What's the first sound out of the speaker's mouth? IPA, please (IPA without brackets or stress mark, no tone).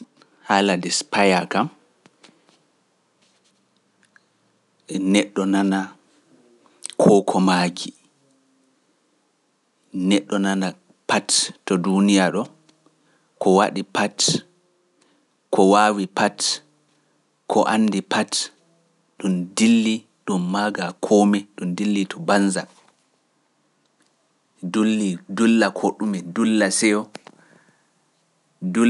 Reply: h